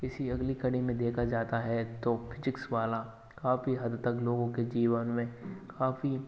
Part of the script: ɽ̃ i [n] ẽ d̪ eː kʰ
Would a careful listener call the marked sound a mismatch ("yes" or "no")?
yes